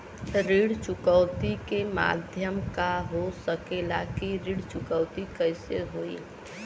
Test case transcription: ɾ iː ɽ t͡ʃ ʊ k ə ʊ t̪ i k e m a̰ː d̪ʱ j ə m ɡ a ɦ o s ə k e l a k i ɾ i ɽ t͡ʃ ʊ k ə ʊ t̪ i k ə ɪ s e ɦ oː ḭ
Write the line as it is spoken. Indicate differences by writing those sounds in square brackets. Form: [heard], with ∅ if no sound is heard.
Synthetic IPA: ɾ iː ɽ t͡ʃ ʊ k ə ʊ t̪ i k e m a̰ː d̪ʱ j ə m [k] a ɦ o s ə k e l a k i ɾ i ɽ t͡ʃ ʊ k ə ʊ t̪ i k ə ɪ s e ɦ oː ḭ